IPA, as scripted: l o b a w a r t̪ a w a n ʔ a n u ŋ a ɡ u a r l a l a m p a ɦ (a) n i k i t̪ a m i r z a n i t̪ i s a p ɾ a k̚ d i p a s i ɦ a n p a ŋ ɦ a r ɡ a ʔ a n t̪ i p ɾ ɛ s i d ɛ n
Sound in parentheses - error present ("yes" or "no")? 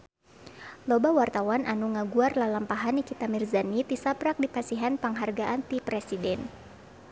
no